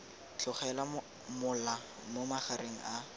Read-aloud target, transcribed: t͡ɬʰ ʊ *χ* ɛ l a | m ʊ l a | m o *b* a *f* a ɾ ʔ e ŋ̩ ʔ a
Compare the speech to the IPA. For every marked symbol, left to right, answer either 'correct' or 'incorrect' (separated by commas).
correct, incorrect, incorrect